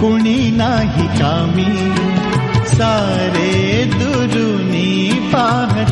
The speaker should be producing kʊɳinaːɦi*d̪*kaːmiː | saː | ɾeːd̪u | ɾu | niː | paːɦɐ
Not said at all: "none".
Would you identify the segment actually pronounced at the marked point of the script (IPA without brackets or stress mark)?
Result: none